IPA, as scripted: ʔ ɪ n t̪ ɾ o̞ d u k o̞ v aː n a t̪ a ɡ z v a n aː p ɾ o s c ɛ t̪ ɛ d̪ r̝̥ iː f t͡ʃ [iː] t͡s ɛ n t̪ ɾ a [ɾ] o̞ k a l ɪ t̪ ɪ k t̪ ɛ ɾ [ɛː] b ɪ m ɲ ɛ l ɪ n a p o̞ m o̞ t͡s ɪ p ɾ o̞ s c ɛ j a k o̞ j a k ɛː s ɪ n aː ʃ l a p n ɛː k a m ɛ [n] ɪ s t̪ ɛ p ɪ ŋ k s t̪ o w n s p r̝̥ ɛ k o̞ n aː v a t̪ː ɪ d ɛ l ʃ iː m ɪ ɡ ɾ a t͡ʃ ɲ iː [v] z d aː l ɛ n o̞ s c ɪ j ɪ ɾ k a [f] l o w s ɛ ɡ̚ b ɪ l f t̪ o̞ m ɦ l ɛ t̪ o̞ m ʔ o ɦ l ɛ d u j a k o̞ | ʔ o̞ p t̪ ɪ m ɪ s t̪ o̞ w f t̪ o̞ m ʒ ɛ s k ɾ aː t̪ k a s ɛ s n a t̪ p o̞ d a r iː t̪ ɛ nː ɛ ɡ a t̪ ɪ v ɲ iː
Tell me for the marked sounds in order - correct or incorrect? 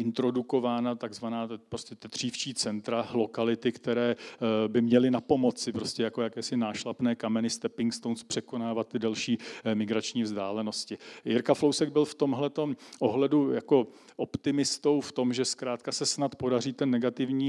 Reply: correct, incorrect, correct, correct, correct, correct

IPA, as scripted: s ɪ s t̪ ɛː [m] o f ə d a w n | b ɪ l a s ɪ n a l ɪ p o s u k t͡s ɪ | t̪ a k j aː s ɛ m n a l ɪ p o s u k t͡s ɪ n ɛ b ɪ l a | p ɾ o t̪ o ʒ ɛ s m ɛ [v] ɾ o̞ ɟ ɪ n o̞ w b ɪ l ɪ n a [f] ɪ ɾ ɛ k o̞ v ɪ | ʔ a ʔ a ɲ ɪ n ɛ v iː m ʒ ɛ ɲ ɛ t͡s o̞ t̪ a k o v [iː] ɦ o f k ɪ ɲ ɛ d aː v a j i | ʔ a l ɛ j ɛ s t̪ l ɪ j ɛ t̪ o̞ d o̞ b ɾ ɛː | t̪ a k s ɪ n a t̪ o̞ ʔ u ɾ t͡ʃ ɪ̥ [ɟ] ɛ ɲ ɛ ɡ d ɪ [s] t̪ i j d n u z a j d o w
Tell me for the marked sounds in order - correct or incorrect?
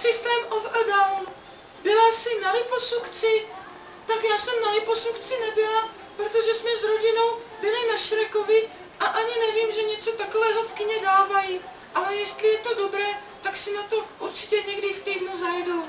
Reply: correct, incorrect, incorrect, incorrect, incorrect, incorrect

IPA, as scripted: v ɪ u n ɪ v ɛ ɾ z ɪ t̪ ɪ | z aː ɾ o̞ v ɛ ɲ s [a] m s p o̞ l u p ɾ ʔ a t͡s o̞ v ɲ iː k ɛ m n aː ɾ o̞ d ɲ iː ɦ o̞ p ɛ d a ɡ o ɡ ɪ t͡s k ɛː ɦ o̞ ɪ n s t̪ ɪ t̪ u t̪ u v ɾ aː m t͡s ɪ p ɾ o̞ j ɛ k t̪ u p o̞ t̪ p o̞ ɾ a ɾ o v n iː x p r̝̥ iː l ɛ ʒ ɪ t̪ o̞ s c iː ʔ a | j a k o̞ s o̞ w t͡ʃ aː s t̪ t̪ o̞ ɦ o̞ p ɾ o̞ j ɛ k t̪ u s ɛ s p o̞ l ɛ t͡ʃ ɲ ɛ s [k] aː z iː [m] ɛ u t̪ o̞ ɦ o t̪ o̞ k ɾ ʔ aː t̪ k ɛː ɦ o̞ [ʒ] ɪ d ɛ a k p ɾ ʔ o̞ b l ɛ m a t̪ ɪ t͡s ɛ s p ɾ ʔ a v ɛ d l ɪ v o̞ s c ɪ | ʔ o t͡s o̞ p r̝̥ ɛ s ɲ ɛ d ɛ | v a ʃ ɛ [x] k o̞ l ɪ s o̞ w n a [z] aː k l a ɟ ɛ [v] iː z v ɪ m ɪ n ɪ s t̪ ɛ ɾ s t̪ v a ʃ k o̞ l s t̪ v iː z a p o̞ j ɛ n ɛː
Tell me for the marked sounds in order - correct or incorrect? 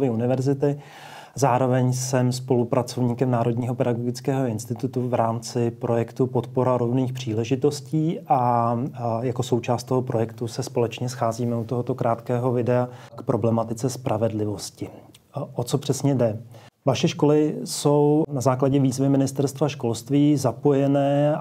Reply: incorrect, incorrect, correct, incorrect, incorrect, correct, correct

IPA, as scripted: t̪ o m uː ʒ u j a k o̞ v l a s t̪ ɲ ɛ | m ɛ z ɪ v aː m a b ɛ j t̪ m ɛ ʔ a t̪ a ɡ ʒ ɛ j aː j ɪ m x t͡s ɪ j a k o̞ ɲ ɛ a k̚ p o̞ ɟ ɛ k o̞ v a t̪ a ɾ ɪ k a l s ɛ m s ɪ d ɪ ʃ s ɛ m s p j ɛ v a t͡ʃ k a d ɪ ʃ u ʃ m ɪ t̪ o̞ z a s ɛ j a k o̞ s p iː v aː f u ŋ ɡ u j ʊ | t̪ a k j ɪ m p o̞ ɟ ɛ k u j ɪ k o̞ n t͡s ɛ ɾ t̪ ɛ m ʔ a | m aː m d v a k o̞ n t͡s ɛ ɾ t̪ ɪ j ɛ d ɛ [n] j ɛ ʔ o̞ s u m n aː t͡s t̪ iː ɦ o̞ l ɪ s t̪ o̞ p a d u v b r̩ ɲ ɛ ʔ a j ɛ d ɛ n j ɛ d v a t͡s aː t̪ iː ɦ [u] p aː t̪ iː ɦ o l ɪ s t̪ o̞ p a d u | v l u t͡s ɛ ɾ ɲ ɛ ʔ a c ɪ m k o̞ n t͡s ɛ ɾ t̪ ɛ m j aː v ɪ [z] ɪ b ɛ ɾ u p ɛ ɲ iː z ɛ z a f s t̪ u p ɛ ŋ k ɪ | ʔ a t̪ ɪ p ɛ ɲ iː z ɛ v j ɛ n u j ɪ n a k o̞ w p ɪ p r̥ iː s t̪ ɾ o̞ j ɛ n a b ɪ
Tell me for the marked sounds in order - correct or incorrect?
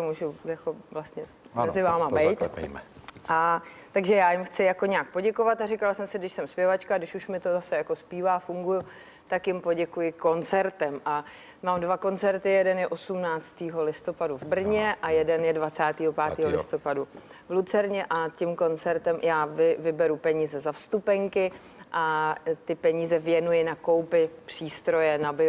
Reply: correct, incorrect, incorrect

